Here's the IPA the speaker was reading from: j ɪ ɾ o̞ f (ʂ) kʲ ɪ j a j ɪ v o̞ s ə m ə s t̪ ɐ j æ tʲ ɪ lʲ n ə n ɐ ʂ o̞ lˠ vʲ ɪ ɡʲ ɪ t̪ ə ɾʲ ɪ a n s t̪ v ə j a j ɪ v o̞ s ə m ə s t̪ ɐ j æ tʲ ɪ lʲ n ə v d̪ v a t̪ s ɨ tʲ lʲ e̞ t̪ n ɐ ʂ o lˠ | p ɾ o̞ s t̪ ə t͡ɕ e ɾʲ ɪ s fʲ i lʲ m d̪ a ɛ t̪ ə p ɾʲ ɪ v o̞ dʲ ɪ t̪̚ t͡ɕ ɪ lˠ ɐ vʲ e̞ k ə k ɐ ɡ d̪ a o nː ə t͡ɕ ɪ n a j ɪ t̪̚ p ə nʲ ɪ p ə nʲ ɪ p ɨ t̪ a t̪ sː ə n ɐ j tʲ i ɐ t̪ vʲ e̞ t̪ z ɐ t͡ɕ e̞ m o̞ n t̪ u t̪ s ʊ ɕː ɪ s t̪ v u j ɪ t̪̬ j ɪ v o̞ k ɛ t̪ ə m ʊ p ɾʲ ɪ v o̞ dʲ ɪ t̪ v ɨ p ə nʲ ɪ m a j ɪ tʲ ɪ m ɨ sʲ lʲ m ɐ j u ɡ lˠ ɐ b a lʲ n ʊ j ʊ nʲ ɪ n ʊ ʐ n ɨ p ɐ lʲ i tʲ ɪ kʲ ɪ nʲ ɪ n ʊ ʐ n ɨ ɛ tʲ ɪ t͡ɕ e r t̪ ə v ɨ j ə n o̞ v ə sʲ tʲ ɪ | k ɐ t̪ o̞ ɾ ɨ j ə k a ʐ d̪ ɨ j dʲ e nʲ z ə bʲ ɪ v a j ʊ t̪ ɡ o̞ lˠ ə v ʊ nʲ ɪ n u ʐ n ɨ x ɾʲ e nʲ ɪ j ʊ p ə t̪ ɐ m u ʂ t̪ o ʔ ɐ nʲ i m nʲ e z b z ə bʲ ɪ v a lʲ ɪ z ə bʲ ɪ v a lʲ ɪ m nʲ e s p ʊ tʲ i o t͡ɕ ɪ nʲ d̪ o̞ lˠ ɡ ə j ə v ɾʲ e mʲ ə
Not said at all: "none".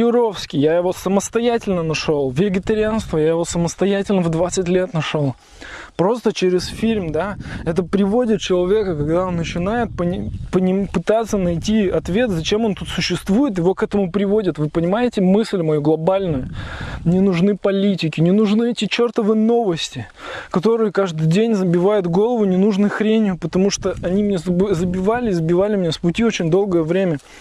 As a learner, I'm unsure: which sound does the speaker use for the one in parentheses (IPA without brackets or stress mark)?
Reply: s